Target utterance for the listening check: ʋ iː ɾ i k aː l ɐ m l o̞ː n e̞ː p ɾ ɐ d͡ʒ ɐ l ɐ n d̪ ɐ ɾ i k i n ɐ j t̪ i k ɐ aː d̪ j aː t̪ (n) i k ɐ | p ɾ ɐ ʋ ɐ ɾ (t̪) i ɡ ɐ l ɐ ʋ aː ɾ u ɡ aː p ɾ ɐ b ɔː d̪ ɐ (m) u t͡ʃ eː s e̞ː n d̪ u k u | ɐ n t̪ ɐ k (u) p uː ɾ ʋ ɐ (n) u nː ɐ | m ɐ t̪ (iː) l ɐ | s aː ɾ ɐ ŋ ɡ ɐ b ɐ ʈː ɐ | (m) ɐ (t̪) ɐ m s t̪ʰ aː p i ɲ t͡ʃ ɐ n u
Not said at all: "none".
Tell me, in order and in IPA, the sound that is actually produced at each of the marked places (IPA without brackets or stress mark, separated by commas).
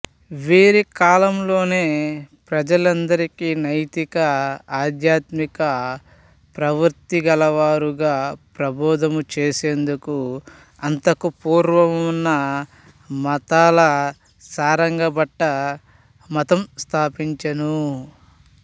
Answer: m, t̪, m, u, m, aː, m, t̪